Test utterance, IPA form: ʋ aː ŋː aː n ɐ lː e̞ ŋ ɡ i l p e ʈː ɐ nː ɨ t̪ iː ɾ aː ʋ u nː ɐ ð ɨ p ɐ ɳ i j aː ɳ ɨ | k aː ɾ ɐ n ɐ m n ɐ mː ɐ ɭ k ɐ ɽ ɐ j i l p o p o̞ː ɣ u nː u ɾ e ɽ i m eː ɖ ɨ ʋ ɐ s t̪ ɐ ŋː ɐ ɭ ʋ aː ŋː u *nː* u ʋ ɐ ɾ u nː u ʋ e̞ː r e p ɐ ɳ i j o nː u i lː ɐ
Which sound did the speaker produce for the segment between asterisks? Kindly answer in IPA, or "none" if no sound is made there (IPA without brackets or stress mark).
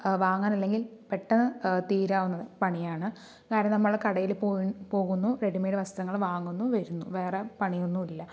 nː